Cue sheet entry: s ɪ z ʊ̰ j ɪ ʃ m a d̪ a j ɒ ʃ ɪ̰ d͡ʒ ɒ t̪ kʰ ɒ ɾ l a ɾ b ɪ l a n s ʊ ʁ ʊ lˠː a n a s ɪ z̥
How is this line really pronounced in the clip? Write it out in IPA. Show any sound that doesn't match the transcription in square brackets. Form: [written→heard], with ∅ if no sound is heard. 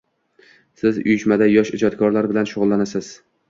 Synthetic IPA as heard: s ɪ z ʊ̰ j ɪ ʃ m a d̪ a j ɒ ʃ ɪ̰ d͡ʒ ɒ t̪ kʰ ɒ ɾ l a ɾ b ɪ l a n [s→ʃ] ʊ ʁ ʊ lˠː a n a s ɪ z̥